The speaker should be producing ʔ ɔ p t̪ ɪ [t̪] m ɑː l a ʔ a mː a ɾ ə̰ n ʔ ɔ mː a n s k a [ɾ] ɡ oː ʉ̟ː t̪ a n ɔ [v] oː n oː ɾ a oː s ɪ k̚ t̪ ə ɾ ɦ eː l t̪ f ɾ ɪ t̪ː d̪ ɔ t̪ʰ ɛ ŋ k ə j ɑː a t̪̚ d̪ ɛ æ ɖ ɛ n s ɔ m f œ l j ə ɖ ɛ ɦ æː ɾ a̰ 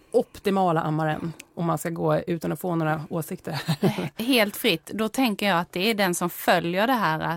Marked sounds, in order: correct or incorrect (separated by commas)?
incorrect, incorrect, incorrect